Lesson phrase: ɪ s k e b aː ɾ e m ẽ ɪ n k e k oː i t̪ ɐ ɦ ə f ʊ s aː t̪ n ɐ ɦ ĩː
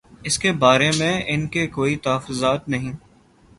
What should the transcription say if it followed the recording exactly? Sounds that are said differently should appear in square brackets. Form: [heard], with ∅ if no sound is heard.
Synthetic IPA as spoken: ɪ s k e b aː ɾ e m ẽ ɪ n k e k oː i t̪ ɐ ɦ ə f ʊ [z] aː t̪ n ɐ ɦ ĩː